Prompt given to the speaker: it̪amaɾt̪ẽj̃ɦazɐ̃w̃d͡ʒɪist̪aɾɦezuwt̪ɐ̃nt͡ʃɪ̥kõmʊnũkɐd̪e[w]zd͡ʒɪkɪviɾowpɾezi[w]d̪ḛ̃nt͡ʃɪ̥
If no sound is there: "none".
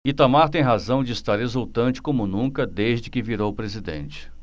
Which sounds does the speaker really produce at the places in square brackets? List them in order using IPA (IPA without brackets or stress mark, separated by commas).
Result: none, none